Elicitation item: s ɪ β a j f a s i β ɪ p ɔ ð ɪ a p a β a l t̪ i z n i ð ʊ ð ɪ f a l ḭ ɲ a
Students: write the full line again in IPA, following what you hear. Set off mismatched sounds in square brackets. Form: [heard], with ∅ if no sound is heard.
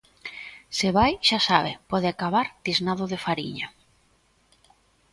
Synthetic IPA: s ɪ β a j [ʃ] a s [a] β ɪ p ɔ ð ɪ a [k] a β a [ɾ] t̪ i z n [a] ð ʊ ð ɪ f a [ɾ] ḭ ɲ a